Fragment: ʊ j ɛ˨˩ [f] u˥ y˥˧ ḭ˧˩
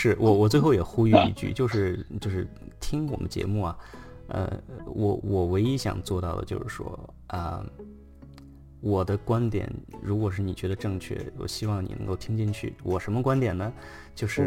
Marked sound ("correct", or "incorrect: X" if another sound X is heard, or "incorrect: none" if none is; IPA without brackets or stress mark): incorrect: x